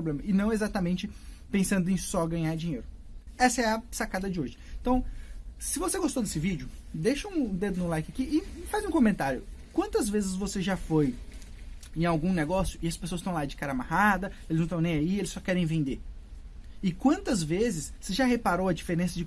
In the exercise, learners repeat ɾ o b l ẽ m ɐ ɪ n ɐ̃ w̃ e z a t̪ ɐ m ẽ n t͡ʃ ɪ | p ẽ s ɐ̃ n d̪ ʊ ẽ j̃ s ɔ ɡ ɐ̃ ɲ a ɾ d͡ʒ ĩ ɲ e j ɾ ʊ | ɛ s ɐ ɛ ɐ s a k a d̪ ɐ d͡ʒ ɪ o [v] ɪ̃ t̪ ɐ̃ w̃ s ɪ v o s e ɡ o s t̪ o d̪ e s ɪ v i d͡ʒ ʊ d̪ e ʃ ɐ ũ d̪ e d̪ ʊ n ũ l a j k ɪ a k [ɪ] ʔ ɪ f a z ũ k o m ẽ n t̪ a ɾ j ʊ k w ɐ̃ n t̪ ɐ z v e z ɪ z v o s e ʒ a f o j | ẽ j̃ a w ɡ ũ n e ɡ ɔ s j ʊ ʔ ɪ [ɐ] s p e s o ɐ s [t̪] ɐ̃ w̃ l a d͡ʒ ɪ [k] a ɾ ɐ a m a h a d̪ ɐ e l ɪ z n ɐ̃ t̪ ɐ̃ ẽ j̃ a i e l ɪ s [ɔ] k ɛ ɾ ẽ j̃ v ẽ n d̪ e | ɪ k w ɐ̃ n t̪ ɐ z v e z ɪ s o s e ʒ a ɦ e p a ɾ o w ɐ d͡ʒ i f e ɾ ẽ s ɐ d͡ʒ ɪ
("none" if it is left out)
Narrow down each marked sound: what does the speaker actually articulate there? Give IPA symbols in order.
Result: ʒ, i, ɐ, t̪, k, ɔ

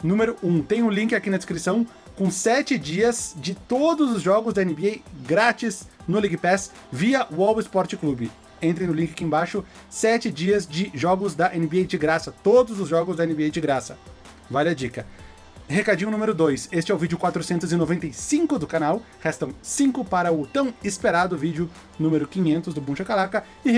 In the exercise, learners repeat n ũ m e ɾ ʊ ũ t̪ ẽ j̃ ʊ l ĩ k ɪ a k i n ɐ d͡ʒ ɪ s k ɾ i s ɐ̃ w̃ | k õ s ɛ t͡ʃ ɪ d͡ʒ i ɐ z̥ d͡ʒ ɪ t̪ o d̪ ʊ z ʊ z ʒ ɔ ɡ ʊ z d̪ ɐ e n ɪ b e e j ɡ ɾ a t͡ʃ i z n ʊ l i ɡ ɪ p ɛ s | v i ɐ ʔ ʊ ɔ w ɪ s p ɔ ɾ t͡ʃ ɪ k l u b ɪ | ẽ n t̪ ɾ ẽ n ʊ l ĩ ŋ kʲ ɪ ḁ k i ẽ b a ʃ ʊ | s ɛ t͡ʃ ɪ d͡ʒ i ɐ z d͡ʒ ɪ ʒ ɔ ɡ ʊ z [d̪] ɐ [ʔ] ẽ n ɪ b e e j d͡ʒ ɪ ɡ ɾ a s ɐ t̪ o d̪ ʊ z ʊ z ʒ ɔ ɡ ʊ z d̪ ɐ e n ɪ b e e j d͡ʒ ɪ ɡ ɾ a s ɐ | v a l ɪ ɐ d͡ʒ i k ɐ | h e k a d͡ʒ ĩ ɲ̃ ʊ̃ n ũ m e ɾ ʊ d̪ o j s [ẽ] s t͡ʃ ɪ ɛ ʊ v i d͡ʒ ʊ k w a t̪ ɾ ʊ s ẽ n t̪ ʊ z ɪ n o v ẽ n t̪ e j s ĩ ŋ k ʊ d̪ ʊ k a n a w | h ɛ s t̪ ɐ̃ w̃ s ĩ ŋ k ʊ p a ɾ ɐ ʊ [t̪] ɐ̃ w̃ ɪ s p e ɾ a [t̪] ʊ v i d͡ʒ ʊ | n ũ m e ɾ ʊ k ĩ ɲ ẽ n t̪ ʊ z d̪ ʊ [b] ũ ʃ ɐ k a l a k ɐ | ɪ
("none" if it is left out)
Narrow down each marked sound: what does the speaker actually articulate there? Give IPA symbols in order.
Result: d̪, ʔ, e, t̪, d̪, b

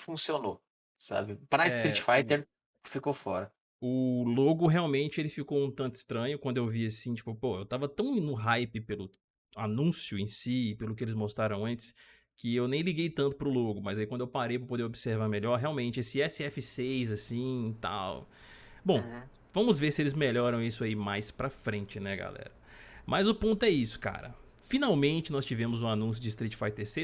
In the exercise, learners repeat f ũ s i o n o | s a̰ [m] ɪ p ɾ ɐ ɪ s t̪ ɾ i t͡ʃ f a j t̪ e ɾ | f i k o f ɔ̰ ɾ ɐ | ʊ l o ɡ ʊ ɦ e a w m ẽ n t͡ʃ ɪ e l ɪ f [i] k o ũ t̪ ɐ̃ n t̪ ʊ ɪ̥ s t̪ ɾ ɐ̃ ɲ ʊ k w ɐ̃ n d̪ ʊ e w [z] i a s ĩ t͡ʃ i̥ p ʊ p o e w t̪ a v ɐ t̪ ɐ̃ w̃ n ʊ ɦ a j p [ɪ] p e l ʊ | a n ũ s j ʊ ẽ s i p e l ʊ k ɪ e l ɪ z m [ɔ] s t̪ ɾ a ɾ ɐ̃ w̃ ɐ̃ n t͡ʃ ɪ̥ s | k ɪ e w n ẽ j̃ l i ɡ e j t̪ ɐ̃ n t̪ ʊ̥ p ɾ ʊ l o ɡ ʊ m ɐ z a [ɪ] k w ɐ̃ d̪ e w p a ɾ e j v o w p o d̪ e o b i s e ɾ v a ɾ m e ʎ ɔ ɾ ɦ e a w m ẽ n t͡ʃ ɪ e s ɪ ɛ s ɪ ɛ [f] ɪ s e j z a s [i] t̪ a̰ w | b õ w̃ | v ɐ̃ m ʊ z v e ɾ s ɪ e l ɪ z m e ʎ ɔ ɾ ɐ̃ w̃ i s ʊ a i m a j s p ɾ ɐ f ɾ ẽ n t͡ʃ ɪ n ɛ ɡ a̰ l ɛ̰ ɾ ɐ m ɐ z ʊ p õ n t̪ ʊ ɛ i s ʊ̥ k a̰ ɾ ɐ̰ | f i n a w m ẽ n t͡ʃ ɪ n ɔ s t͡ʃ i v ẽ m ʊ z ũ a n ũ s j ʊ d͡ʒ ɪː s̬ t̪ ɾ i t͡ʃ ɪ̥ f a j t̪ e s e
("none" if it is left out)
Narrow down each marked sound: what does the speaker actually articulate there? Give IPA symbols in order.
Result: b, i, v, ɪ, o, i, f, ĩ

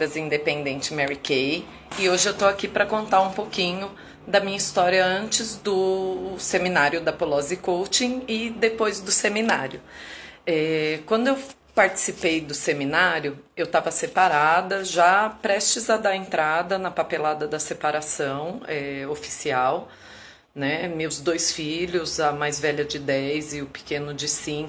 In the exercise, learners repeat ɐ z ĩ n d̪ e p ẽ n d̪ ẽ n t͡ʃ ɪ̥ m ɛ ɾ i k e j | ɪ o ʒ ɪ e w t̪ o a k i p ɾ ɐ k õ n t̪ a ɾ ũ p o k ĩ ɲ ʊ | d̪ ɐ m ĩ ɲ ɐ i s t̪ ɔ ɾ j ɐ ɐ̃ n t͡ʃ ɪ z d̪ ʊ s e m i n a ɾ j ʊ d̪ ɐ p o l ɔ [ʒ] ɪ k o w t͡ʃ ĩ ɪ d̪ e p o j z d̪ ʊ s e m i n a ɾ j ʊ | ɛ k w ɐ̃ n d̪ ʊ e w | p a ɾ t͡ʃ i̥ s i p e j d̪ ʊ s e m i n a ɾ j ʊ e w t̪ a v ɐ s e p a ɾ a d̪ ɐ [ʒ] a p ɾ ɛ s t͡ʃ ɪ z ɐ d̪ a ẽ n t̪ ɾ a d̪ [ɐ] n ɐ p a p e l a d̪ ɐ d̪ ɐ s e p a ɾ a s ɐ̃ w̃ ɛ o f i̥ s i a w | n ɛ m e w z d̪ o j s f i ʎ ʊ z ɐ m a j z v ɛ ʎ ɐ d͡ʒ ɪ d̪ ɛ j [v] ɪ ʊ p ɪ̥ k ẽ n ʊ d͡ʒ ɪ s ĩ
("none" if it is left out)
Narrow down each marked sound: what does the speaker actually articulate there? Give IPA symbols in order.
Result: z, ʒ, ɐ, z

